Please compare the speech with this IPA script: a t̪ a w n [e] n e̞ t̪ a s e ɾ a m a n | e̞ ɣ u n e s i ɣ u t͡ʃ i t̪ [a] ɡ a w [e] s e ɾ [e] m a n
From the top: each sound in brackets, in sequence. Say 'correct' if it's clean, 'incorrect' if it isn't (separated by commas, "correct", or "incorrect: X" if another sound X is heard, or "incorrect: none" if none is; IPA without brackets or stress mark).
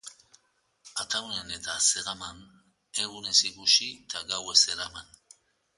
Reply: correct, correct, correct, incorrect: a